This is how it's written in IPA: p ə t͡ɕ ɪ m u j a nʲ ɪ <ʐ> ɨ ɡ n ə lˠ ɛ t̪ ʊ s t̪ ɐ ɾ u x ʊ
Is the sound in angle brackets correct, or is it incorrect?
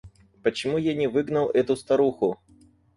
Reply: incorrect